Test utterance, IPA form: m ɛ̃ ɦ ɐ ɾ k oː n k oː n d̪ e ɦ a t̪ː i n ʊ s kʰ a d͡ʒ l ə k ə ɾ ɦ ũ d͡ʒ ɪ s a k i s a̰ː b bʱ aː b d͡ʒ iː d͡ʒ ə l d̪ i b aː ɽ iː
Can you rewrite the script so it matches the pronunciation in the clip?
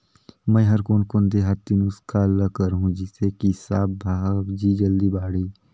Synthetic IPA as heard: m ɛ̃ ɦ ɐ ɾ k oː n k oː n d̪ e ɦ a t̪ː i n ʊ s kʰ a l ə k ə ɾ ɦ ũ d͡ʒ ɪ s e k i s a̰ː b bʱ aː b d͡ʒ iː d͡ʒ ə l d̪ i b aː ɽ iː